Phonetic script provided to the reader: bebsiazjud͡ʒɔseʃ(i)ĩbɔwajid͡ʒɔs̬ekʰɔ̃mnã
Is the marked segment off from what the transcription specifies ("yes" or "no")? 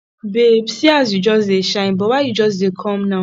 yes